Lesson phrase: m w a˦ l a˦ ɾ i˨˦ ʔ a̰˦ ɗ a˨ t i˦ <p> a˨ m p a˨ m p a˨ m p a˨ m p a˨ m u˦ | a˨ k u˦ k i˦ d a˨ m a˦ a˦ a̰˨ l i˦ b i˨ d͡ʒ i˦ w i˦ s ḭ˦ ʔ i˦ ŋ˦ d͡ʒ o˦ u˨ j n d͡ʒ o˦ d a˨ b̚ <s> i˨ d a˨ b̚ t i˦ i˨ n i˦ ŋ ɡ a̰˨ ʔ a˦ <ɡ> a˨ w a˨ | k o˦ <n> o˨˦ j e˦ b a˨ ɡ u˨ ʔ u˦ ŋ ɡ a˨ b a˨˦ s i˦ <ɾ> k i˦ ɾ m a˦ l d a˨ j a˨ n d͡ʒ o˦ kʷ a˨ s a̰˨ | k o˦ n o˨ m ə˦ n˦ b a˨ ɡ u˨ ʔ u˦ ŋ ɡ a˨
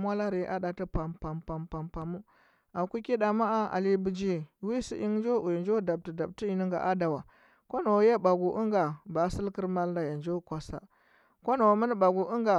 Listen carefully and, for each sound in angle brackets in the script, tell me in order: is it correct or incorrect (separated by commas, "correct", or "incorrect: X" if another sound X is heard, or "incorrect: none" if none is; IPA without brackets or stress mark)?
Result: correct, incorrect: t, incorrect: d, correct, incorrect: l